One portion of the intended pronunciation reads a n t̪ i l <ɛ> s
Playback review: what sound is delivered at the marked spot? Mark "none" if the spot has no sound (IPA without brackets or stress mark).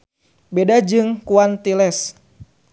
ɛ